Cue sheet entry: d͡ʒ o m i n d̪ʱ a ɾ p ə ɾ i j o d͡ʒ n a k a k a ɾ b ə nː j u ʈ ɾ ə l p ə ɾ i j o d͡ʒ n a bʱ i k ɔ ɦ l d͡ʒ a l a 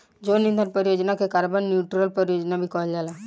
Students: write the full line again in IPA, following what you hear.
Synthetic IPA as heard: d͡ʒ o n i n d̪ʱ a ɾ p ə ɾ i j o d͡ʒ n a k e k a ɾ b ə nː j u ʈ ɾ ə l p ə ɾ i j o d͡ʒ n a bʱ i k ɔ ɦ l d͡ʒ a l a